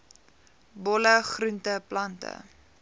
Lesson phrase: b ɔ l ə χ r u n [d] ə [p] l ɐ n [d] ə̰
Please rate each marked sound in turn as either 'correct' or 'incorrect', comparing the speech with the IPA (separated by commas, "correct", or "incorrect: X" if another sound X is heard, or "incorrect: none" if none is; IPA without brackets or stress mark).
incorrect: t, correct, incorrect: t